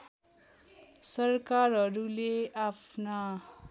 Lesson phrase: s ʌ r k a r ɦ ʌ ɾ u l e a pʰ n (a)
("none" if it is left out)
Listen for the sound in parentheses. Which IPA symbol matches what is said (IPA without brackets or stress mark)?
a